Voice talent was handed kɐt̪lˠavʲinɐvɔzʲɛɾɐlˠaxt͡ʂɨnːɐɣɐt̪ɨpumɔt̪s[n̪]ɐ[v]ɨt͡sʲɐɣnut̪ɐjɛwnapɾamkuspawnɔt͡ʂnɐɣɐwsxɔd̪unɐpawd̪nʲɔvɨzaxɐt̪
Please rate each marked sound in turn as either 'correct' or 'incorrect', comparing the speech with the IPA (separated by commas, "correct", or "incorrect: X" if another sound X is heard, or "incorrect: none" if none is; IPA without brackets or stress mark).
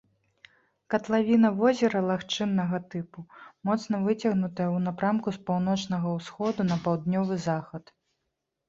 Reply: correct, correct